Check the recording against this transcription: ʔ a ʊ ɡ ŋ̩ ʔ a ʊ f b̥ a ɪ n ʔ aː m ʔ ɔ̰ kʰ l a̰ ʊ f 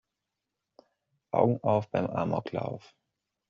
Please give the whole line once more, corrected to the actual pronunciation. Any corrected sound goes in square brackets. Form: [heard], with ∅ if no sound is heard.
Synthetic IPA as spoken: ʔ a ʊ ɡ ŋ̩ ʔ a ʊ f b̥ a ɪ [m] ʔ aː m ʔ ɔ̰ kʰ l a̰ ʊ f

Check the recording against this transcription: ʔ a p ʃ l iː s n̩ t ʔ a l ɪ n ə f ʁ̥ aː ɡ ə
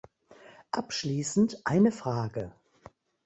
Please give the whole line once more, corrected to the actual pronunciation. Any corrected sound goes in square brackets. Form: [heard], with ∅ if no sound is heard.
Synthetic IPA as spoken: ʔ a p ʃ l iː s n̩ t ʔ a [∅] ɪ n ə f ʁ̥ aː ɡ ə

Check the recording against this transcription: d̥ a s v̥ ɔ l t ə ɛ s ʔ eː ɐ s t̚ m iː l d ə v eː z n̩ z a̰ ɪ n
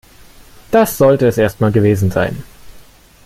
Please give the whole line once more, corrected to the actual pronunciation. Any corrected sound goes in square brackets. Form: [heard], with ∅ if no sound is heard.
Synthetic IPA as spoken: d̥ a s [z̥] ɔ l t ə ɛ s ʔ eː ɐ s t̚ m [aː] l [ɡ] ə v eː z n̩ z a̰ ɪ n

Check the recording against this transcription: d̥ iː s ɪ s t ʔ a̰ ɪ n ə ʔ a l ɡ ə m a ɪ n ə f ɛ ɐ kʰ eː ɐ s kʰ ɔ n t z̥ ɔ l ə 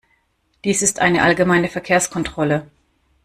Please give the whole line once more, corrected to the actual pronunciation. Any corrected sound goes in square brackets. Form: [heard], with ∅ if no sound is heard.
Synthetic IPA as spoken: d̥ iː s ɪ s t ʔ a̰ ɪ n ə ʔ a l ɡ ə m a ɪ n ə f ɛ ɐ kʰ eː ɐ s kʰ ɔ n t [ʁ̥] ɔ l ə

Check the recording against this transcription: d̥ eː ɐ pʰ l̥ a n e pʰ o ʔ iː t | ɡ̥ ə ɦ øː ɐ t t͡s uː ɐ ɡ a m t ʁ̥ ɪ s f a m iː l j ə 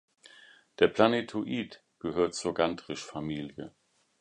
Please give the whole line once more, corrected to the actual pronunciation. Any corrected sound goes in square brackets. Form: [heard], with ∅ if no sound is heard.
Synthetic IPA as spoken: d̥ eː ɐ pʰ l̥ a n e [tʰ] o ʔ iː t | ɡ̥ ə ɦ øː ɐ t t͡s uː ɐ ɡ a [n] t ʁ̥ ɪ [ʃ] f a m iː l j ə

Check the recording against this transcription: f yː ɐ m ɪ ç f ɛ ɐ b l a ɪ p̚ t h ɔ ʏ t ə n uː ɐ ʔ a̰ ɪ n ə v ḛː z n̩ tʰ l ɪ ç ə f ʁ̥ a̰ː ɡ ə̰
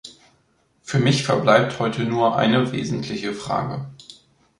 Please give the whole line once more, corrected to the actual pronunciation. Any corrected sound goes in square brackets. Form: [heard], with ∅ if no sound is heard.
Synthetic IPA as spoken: f yː ɐ m ɪ ç f ɛ ɐ b l a ɪ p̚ t h ɔ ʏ t ə n uː ɐ ʔ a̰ ɪ n ə v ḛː z n̩ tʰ l ɪ ç ə f ʁ̥ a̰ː ɡ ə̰

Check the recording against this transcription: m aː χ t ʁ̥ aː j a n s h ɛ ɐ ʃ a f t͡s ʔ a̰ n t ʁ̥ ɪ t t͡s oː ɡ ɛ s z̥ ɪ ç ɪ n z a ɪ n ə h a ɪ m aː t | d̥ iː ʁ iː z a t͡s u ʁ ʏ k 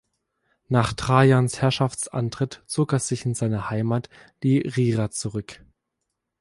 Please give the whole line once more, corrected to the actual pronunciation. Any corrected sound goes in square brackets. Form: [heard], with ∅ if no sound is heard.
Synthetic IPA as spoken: [n] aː χ t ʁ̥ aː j a n s h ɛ ɐ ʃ a f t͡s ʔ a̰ n t ʁ̥ ɪ t t͡s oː [k] ɛ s z̥ ɪ ç ɪ n z a ɪ n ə h a ɪ m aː t | d̥ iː ʁ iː [ʁ] a t͡s u ʁ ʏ k

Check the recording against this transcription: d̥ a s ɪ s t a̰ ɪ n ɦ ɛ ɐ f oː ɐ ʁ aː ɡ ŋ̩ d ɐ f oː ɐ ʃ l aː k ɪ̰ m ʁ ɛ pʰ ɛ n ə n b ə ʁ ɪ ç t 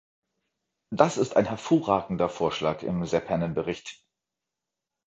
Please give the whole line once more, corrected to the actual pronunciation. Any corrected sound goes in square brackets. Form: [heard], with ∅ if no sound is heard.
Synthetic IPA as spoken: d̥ a s ɪ s t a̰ ɪ n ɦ ɛ ɐ f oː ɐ ʁ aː ɡ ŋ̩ d ɐ f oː ɐ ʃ l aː k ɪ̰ m [z] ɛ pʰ ɛ n ə n b ə ʁ ɪ ç t

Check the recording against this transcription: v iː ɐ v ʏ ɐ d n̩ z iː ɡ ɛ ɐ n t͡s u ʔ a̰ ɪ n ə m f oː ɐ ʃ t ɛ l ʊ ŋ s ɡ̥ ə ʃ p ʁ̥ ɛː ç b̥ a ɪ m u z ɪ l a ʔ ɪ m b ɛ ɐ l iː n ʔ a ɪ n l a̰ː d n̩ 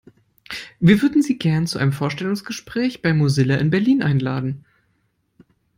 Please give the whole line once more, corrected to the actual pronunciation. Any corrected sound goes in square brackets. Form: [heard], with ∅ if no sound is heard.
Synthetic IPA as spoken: v iː ɐ v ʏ ɐ d n̩ z iː ɡ ɛ ɐ n t͡s u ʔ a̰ ɪ n ə m f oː ɐ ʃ t ɛ l ʊ ŋ s ɡ̥ ə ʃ p ʁ̥ ɛː ç b̥ a ɪ m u z ɪ l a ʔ ɪ [n] b ɛ ɐ l iː n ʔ a ɪ n l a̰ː d n̩

